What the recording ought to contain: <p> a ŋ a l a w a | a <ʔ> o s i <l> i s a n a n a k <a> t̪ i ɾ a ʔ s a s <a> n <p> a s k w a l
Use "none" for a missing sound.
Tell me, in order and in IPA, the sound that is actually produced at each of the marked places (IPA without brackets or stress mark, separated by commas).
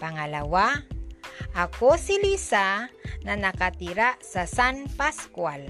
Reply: p, k, l, a, a, p